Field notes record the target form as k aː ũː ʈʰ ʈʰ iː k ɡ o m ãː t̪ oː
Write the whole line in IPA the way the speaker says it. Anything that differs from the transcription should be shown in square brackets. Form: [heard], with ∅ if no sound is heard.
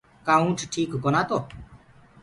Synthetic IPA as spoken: k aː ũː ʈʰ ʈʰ iː k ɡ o [n] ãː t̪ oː